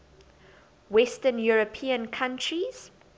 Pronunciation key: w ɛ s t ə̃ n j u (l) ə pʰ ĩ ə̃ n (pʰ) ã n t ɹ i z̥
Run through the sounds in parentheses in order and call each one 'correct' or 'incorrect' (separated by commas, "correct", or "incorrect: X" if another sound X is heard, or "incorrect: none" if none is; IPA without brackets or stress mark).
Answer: incorrect: ɹ, incorrect: kʰ